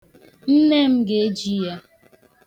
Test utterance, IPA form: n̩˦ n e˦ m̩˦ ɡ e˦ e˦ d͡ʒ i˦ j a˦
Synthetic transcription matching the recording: n̩˦ n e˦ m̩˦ ɡ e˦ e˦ d͡ʒ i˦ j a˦